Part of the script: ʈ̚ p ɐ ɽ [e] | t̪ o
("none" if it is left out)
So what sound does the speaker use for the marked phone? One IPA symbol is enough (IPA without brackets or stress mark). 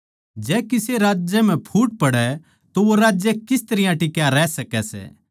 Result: ɛ